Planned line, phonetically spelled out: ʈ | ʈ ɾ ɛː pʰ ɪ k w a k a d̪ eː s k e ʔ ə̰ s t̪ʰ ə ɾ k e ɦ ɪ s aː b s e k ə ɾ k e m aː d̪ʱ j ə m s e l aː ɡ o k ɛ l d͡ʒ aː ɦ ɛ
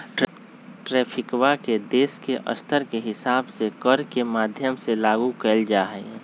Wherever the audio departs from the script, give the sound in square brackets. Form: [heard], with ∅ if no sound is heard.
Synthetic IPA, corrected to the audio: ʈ | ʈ ɾ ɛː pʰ ɪ k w a k [e] d̪ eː s k e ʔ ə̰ s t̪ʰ ə ɾ k e ɦ ɪ s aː b s e k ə ɾ k e m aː d̪ʱ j ə m s e l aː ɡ [u] k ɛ l d͡ʒ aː ɦ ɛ